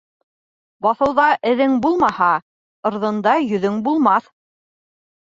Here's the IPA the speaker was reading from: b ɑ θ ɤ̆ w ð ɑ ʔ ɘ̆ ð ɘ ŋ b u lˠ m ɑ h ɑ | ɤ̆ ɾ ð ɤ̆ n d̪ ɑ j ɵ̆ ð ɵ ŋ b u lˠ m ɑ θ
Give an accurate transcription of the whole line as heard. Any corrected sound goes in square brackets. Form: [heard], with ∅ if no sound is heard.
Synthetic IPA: b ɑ θ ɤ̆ w ð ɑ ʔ ɘ̆ ð ɘ ŋ b u lˠ m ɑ h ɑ | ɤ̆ ɾ ð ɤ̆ n d̪ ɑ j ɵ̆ ð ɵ ŋ b u lˠ m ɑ θ